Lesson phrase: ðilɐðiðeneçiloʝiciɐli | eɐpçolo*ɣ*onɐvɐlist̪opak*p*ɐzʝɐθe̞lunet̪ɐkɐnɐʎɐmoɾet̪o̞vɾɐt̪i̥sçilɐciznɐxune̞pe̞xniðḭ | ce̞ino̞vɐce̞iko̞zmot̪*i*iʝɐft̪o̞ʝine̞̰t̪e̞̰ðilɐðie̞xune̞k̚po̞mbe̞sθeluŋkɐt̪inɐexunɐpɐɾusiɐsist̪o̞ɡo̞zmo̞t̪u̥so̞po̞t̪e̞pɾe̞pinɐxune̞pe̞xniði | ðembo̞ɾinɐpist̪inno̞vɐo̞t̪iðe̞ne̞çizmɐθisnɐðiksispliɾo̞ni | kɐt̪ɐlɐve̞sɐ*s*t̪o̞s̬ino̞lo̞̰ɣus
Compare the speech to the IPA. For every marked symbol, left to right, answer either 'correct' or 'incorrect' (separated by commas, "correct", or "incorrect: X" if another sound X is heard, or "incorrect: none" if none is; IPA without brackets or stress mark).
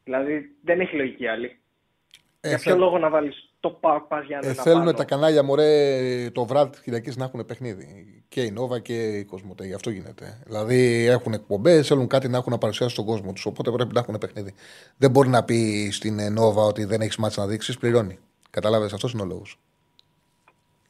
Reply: correct, correct, incorrect: e, incorrect: f